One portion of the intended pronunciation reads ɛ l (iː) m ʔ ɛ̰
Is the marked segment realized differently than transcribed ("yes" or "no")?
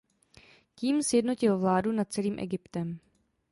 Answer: no